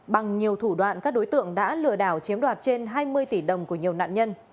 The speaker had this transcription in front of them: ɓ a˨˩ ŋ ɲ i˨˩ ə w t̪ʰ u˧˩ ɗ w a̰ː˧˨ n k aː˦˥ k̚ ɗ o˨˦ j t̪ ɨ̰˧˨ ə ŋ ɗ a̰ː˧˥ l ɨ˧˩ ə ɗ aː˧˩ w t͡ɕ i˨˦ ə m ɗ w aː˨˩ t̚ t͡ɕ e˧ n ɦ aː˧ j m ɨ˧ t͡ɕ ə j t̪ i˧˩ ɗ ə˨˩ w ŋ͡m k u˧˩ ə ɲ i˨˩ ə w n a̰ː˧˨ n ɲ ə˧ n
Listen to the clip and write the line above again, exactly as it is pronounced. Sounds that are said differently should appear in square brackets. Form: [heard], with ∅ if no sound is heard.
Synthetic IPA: ɓ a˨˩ ŋ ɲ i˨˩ ə w t̪ʰ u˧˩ ɗ w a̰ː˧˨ n k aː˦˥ k̚ ɗ o˨˦ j t̪ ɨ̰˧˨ ə ŋ ɗ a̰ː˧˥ l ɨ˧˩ ə ɗ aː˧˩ w t͡ɕ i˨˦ ə m ɗ w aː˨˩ t̚ t͡ɕ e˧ n ɦ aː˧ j m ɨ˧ [∅] ə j t̪ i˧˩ ɗ ə˨˩ w ŋ͡m k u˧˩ ə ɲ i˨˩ ə w n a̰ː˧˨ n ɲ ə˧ n